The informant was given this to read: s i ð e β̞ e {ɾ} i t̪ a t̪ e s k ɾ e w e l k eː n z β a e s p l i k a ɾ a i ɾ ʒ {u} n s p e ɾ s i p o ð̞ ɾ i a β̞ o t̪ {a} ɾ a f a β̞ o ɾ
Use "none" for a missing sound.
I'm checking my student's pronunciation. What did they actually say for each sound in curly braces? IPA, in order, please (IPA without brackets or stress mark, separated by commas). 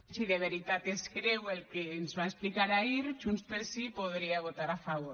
ɾ, u, a